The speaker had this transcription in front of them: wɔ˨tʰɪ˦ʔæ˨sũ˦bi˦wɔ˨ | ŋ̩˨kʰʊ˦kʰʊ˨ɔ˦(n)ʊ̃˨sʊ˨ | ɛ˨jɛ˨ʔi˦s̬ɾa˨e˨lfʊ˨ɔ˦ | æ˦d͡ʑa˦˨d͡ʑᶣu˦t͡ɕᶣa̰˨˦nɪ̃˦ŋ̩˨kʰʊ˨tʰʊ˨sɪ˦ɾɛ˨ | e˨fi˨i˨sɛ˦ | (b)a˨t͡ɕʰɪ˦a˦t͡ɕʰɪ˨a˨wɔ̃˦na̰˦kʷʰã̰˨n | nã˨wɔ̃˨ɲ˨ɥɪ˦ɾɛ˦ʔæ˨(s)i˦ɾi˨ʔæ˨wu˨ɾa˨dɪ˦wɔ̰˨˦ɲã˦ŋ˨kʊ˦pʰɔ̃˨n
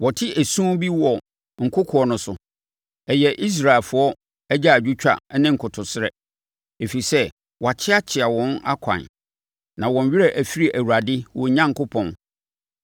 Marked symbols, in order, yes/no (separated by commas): yes, no, no